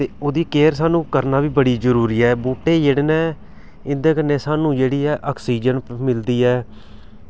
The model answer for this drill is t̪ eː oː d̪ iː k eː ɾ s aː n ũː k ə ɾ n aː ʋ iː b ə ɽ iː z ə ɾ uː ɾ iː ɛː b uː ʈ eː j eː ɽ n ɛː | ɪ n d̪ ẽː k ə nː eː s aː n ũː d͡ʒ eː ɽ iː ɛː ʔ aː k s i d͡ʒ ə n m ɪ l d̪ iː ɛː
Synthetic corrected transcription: t̪ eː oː d̪ iː k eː ɾ s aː n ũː k ə ɾ n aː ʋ iː b ə ɽ iː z ə ɾ uː ɾ iː ɛː b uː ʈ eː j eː ɽ n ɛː | ɪ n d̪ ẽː k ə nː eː s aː n ũː d͡ʒ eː ɽ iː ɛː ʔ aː k s iː d͡ʒ ə n m ɪ l d̪ iː ɛː